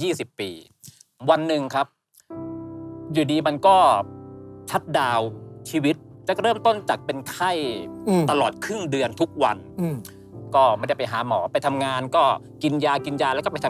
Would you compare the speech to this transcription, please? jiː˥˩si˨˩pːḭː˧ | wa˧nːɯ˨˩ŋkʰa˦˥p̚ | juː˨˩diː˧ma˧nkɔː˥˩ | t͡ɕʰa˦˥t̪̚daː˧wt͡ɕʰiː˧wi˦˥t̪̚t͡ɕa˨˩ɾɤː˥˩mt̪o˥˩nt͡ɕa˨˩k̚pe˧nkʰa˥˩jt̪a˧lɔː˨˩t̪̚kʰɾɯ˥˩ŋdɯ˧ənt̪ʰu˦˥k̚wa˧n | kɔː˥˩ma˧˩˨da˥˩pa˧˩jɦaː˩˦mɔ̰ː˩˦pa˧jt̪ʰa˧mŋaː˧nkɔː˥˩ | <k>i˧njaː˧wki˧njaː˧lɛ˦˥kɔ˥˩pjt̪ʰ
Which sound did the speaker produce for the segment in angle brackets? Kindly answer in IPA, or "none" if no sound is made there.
k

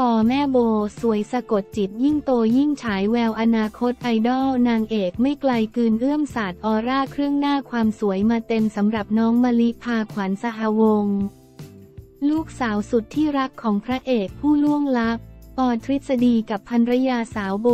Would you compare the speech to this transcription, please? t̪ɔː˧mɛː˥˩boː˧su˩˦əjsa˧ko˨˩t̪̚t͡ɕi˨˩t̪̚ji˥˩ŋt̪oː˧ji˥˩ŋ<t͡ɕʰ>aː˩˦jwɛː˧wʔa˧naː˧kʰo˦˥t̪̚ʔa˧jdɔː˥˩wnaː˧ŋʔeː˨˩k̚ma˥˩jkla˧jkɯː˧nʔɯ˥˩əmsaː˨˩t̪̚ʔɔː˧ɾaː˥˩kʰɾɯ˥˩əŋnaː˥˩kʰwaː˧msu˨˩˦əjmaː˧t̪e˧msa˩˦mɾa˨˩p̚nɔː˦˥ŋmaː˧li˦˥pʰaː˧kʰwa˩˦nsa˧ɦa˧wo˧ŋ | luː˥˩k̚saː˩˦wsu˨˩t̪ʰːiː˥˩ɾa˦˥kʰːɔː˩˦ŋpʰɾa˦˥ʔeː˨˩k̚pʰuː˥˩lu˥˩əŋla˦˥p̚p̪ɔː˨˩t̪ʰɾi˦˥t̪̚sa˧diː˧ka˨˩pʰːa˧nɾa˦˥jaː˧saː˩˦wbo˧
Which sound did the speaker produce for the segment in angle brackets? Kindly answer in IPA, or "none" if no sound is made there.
t͡ɕʰ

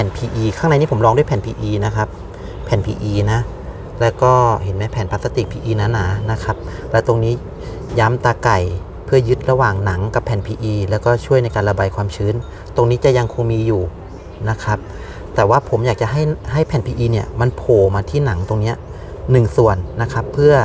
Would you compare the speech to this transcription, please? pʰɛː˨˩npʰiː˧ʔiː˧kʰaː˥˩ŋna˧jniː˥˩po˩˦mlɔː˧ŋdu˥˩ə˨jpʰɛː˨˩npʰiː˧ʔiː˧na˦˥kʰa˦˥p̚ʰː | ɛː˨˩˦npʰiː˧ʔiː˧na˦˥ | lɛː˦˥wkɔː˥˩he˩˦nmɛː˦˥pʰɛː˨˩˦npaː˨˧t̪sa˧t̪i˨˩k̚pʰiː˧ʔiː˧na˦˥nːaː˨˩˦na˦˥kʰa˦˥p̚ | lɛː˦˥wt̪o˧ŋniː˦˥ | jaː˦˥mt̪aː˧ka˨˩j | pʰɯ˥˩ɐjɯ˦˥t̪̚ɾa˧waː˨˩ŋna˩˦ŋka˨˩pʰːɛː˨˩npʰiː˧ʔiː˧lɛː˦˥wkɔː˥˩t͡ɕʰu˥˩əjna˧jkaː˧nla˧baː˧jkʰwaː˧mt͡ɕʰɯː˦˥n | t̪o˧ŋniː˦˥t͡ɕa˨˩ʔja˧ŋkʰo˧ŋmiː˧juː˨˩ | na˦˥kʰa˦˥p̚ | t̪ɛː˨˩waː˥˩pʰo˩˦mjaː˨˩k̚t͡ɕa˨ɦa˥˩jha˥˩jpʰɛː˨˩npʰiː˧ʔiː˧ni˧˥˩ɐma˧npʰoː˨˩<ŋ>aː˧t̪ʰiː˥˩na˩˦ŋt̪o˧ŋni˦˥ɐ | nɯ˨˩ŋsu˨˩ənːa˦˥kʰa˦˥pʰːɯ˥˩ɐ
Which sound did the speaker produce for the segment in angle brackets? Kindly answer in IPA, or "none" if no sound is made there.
m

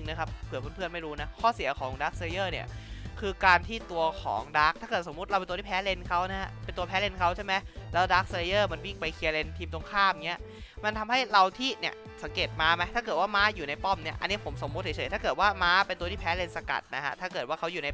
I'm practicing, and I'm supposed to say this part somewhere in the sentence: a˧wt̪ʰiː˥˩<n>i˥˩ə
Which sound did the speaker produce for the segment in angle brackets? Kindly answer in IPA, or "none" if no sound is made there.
n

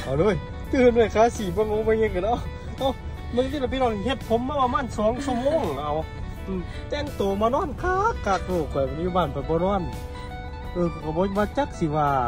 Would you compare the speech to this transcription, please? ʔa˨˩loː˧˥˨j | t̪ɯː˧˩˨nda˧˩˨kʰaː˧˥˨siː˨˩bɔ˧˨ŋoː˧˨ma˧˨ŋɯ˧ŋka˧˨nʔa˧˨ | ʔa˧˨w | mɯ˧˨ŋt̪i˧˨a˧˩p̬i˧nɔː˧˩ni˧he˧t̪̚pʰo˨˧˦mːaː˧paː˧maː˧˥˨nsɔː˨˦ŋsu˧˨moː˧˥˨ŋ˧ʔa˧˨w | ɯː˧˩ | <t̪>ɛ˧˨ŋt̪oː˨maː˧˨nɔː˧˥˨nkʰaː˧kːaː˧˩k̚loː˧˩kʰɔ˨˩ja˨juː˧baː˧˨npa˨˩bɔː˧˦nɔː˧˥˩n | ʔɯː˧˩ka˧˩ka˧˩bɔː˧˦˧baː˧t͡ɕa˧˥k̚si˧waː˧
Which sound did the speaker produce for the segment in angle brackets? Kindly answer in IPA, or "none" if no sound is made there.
t̪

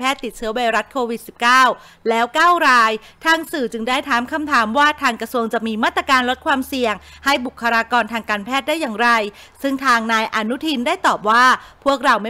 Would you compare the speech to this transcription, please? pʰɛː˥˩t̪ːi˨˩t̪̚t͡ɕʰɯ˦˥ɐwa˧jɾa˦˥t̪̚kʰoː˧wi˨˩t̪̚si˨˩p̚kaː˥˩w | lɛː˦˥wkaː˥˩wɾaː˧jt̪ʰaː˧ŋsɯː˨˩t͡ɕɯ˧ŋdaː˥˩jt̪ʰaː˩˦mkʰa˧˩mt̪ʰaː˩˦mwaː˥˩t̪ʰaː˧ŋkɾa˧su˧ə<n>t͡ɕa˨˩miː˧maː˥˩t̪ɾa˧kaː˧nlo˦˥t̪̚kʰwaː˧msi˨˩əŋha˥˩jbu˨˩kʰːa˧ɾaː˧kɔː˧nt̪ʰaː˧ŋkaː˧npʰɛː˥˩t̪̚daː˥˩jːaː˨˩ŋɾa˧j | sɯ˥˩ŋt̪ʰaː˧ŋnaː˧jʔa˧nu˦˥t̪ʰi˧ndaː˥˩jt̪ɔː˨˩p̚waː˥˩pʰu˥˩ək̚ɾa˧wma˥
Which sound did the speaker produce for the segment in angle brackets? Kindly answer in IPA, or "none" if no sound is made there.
ŋ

